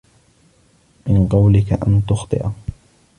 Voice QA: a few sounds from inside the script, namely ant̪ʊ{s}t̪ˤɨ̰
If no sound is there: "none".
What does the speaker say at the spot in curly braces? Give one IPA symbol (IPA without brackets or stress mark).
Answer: x